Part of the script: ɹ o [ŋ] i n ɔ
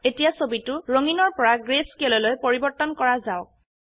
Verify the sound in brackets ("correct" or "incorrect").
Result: correct